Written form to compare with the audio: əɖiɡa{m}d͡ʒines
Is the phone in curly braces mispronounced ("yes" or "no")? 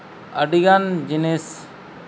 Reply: yes